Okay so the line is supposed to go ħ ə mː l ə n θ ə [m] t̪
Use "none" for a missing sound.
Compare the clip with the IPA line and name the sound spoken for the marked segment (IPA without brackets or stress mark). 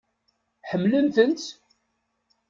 n